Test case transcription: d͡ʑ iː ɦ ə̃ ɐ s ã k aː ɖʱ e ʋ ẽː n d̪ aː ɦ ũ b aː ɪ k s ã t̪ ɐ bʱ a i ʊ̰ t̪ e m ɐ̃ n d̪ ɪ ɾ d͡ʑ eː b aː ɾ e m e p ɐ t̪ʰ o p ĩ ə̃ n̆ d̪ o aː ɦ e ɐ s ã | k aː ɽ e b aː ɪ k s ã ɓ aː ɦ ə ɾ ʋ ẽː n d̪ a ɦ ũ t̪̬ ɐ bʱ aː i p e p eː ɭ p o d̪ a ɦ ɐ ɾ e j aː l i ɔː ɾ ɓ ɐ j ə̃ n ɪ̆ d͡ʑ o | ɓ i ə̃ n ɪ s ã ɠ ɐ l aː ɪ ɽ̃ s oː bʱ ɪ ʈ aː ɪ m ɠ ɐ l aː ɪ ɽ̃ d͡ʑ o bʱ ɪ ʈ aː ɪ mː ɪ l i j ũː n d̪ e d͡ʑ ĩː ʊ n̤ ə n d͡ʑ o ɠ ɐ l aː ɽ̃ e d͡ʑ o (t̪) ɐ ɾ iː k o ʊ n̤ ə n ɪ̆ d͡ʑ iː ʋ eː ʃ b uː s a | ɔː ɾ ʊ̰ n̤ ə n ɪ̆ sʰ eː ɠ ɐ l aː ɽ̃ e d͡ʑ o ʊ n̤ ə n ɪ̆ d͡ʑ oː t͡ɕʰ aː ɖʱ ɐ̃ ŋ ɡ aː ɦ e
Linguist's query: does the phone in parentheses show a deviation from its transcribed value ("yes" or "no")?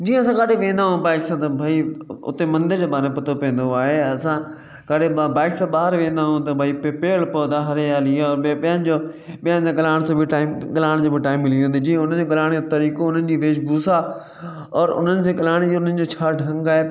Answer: no